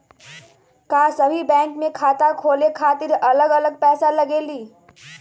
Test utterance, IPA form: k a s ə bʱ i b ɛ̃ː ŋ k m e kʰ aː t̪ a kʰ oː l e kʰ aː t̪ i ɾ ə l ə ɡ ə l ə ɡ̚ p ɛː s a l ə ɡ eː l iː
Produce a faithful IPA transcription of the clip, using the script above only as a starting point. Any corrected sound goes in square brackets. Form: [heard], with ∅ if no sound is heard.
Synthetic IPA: k a s ə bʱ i b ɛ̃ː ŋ k m e kʰ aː t̪ a kʰ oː l e kʰ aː t̪ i ɾ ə l ə ɡ ə l ə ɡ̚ p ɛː s a l ə ɡ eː l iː

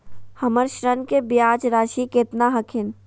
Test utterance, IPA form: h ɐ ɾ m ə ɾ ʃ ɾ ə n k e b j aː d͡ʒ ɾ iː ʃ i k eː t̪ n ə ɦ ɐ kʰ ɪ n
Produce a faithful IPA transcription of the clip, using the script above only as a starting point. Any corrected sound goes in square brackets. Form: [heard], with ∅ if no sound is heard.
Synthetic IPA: h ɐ [∅] m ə ɾ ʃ ɾ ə n k e b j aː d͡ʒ ɾ [aː] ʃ i k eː t̪ n [a] ɦ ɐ kʰ ɪ n

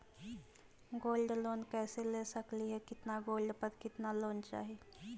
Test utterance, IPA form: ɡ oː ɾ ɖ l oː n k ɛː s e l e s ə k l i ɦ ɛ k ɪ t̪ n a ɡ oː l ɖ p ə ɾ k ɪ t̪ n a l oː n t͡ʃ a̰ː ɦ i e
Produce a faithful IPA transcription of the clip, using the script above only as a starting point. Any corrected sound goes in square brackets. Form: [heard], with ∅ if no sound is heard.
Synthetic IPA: ɡ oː [l] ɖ l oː n k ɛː s e l e s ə k l i ɦ ɛ k ɪ t̪ n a ɡ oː l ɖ p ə ɾ k ɪ t̪ n a l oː n t͡ʃ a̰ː ɦ i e

